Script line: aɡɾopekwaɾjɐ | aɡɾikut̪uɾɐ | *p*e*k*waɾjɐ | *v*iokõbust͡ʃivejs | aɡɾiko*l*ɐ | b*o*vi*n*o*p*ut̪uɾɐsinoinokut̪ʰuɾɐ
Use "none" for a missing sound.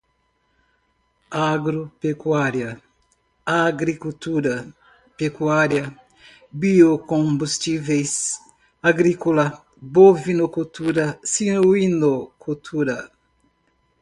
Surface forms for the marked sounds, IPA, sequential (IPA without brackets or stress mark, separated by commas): p, k, b, l, o, n, k